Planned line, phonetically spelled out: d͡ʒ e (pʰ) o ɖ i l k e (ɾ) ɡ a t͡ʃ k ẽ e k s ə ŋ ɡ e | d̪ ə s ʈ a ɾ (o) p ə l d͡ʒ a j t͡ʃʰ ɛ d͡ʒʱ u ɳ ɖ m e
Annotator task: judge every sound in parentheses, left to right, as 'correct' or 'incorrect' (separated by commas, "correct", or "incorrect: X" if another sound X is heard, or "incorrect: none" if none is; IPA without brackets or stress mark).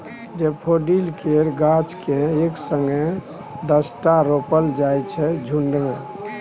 correct, correct, correct